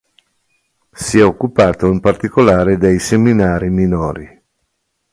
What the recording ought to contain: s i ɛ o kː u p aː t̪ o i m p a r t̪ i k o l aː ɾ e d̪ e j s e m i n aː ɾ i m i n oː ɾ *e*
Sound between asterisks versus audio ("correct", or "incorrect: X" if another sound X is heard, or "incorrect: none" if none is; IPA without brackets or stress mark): incorrect: i